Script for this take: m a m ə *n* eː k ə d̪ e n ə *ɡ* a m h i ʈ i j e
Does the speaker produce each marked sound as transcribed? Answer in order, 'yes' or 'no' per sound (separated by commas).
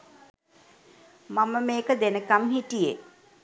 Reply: no, no